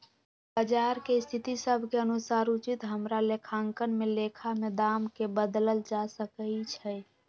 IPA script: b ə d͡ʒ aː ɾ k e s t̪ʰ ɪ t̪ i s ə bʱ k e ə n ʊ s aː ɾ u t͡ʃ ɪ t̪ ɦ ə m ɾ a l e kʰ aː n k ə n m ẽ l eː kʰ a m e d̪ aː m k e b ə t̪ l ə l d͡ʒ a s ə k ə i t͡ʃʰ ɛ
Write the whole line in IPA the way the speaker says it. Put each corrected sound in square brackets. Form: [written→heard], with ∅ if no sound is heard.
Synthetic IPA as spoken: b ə d͡ʒ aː ɾ k e s t̪ʰ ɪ t̪ i s ə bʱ k e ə n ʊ s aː ɾ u t͡ʃ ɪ t̪ ɦ ə m ɾ a l e kʰ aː [n→ŋ] k ə n m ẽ l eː kʰ a m e d̪ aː m k e b ə [t̪→d̪] l ə l d͡ʒ a s ə k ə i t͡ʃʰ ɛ